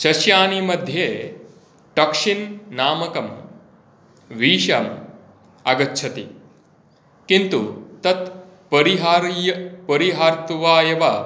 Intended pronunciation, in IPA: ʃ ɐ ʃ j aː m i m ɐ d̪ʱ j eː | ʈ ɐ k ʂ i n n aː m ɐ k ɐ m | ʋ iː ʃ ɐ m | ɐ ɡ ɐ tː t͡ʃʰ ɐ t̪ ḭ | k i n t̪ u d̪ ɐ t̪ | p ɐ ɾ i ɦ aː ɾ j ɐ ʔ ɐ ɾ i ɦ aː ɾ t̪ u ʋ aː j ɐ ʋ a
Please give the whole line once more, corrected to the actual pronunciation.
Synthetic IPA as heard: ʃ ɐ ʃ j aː n i m ɐ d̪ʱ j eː | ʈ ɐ k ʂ i n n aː m ɐ k ɐ m | ʋ iː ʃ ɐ m | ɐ ɡ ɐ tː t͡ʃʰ ɐ t̪ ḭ | k i n t̪ u t̪ ɐ t̪ | p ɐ ɾ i ɦ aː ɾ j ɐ p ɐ ɾ i ɦ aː ɾ t̪ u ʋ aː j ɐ ʋ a